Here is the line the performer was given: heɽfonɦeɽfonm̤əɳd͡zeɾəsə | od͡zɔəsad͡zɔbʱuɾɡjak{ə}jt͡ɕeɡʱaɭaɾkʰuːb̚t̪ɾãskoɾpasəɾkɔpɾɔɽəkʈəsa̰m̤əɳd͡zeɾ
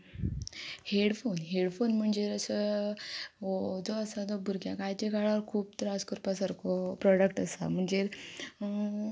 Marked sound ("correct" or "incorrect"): incorrect